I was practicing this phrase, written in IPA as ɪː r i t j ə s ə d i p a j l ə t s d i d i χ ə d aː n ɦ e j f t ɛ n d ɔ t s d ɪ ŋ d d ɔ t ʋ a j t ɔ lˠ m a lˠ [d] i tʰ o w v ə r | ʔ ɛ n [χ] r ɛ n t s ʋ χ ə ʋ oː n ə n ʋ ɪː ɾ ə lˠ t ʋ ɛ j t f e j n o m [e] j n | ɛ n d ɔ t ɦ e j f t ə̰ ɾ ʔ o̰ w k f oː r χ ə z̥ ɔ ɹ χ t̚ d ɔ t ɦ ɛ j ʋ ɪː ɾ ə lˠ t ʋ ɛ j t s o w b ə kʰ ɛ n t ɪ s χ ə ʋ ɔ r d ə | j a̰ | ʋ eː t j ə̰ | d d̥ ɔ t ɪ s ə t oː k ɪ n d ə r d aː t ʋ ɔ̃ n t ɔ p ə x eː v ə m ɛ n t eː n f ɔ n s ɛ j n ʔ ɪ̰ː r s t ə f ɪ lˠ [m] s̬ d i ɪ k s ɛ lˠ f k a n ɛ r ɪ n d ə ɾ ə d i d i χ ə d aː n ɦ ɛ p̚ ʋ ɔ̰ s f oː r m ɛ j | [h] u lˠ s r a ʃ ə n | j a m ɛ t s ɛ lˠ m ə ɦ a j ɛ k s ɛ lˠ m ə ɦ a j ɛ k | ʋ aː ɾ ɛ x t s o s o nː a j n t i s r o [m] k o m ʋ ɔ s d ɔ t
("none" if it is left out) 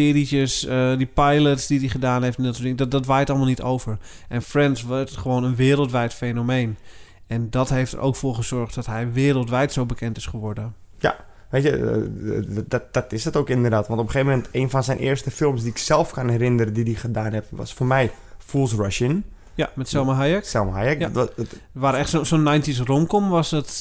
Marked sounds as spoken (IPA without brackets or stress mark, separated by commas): n, f, e, m, f, m